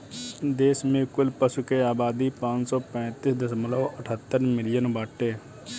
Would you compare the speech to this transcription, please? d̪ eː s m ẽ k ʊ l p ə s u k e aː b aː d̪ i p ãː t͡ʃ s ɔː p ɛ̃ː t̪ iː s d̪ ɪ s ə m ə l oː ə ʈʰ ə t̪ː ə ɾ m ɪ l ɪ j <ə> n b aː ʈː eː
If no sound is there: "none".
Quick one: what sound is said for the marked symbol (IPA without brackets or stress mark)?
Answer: ə